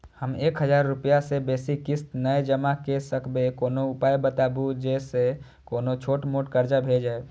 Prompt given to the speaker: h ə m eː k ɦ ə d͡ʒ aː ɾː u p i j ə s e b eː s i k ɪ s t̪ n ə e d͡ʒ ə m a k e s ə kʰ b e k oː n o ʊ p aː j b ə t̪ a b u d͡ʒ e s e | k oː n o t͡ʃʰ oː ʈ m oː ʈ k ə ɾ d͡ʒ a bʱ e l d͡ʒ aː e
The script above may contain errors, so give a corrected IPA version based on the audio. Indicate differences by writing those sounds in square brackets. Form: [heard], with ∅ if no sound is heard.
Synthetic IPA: h ə m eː k ɦ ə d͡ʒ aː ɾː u p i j [a] s e b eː s i k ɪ s t̪ n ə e d͡ʒ ə m a k e s ə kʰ b e k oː n o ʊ p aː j b ə t̪ a b u d͡ʒ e s e | k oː n o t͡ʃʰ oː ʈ m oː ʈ k ə ɾ d͡ʒ a bʱ e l d͡ʒ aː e